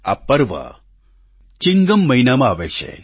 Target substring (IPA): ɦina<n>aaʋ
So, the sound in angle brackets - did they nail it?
no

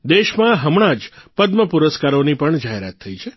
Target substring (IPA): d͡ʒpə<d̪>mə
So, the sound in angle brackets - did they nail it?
yes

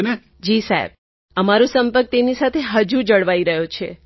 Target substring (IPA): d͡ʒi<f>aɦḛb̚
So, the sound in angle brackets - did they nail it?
no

